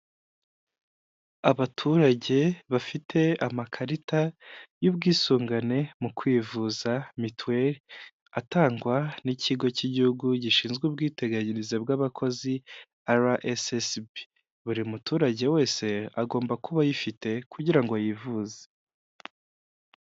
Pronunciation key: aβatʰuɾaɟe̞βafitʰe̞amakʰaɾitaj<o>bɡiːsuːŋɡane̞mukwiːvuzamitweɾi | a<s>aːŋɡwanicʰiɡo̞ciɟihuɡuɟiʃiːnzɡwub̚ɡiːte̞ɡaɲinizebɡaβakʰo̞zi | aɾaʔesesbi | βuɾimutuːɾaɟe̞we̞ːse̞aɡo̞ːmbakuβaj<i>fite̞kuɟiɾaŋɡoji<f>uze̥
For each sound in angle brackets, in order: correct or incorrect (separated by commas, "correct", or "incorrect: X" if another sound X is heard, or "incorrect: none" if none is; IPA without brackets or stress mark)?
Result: incorrect: u, incorrect: t, correct, incorrect: v